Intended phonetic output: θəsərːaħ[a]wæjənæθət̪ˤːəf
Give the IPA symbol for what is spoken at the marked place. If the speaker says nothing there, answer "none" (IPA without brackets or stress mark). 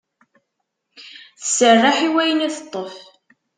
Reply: i